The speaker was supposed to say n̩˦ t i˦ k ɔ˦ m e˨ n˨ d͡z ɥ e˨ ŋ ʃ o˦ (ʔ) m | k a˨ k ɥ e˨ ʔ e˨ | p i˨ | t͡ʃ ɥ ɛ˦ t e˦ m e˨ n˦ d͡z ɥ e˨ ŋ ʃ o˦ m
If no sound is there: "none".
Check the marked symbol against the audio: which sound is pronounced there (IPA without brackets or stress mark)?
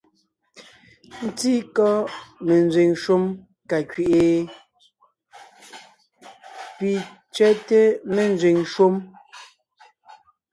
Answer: none